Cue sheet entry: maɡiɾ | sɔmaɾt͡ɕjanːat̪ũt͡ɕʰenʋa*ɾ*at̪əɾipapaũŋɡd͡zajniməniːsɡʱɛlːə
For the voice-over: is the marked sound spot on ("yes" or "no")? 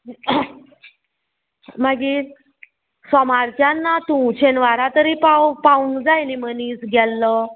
yes